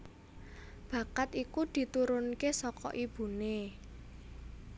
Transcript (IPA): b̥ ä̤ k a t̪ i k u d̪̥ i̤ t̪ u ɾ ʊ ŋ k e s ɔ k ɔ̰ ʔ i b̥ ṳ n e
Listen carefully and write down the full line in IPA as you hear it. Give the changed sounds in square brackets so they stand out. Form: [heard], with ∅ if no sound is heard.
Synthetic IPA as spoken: b̥ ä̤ k a t̪ i k u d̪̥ i̤ t̪ u ɾ ʊ [n] k e s ɔ k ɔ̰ ʔ i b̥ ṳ n e